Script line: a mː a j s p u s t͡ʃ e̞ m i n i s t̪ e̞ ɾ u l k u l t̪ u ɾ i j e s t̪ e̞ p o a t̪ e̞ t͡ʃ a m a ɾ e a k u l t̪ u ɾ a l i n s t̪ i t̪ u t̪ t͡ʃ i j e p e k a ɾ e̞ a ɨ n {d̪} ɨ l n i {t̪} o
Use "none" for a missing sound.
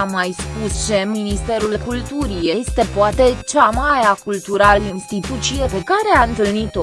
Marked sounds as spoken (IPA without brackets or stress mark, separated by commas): t̪, t̪